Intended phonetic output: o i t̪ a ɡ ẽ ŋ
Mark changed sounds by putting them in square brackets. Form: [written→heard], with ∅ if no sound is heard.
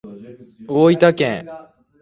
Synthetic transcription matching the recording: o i t̪ a [ɡ→k] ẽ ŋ